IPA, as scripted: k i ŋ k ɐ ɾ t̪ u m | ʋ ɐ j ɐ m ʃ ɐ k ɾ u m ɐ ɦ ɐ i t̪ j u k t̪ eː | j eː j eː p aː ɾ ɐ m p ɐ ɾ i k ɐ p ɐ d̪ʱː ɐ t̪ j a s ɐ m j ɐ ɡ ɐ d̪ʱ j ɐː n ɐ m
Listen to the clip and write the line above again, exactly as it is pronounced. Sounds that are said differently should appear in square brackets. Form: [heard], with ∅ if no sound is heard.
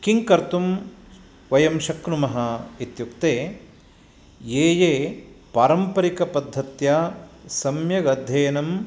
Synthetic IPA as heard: k i ŋ k ɐ ɾ t̪ u m | ʋ ɐ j ɐ m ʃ ɐ k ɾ u m ɐ ɦ ɐ i t̪ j u k t̪ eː | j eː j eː p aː ɾ ɐ m p ɐ ɾ i k ɐ p ɐ d̪ʱː ɐ t̪ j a s ɐ m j ɐ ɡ ɐ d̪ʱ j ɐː n ɐ m